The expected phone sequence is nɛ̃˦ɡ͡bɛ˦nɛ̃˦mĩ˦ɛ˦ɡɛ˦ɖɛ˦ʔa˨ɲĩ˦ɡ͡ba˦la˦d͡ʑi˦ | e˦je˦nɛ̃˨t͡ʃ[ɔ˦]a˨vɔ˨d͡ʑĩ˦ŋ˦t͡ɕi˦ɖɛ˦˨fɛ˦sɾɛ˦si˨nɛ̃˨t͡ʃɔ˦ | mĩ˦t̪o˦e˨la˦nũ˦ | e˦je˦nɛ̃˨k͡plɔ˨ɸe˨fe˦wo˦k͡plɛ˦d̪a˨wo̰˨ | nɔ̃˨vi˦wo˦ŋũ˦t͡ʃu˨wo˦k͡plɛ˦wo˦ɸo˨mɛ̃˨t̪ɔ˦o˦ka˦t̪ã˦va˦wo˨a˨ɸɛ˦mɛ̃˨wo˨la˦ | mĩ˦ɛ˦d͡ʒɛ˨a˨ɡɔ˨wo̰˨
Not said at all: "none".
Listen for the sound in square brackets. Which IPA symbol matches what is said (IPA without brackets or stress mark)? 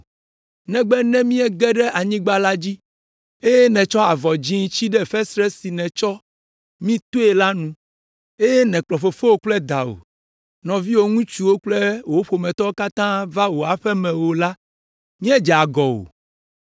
ɔ˦